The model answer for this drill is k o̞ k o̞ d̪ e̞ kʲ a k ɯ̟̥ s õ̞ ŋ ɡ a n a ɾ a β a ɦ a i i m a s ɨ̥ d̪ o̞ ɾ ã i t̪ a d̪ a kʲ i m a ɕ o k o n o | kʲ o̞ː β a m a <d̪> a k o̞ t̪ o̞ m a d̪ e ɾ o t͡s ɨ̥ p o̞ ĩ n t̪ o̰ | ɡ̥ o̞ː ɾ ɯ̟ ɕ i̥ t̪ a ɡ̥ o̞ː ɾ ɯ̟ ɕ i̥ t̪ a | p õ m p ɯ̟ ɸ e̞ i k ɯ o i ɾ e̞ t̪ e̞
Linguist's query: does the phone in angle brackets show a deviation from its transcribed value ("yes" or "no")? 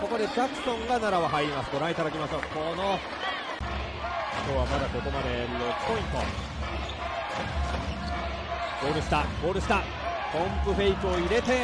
no